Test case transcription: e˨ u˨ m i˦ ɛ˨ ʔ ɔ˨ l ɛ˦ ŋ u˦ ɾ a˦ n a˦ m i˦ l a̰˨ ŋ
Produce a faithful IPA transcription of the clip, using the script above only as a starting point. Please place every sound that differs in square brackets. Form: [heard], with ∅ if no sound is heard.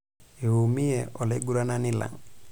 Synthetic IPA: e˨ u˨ m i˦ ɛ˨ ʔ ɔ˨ l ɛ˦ [ɡ] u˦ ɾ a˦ n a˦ [n] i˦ l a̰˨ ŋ